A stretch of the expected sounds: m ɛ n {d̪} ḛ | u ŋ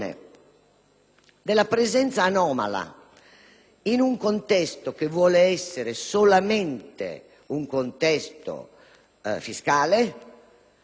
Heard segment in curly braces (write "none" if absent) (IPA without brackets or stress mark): t̪